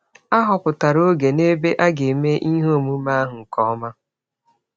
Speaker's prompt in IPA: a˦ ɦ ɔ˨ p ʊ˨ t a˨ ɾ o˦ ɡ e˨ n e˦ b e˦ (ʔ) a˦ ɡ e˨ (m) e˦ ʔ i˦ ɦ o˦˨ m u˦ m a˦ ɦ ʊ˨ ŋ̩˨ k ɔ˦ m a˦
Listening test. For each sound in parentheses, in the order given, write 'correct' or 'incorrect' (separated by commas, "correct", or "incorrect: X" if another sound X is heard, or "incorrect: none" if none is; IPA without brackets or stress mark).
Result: correct, correct